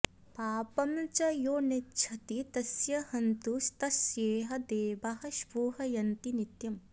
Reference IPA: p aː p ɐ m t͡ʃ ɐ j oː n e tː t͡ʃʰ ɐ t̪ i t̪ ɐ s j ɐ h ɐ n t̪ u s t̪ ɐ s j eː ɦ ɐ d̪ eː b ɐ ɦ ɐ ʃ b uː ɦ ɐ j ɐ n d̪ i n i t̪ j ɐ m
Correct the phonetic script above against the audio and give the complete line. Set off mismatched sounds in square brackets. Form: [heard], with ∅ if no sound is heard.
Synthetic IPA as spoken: p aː p ɐ m t͡ʃ ɐ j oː n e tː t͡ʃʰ ɐ t̪ i t̪ ɐ s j ɐ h ɐ n t̪ u s t̪ ɐ s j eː ɦ ɐ d̪ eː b ɐ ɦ ɐ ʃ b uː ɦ ɐ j ɐ n [t̪] i n i t̪ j ɐ m